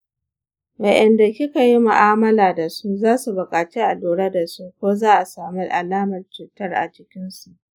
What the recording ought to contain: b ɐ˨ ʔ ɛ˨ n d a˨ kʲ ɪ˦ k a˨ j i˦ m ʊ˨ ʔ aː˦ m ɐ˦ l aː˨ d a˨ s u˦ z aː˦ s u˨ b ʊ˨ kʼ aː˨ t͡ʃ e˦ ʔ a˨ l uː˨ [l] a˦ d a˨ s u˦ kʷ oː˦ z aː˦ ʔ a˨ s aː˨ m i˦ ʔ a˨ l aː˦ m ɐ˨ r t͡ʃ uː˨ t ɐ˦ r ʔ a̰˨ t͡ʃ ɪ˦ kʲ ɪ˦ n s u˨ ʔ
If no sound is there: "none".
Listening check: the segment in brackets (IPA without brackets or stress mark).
ɽ